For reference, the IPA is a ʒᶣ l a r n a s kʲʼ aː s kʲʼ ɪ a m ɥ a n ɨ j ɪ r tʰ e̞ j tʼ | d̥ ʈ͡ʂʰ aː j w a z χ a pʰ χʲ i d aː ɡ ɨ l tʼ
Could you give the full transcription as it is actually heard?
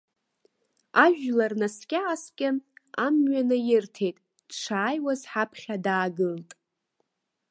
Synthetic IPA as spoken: a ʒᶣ l a r n a s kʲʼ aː s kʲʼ ɪ a m ɥ a n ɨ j ɪ r tʰ e̞ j tʼ | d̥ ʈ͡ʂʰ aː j w a z ħ a pʰ χʲ a d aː ɡ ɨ l tʼ